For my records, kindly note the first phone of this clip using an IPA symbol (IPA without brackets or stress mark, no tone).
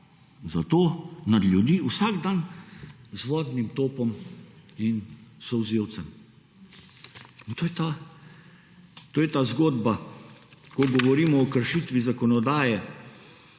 z